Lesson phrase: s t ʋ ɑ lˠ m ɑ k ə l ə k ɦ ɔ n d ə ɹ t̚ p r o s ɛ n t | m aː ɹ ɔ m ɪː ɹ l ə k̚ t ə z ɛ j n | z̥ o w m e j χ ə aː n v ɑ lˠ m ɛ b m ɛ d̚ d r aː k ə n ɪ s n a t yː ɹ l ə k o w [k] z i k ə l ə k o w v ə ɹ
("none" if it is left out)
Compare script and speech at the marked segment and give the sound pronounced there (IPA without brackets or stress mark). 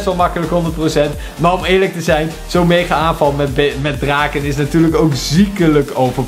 k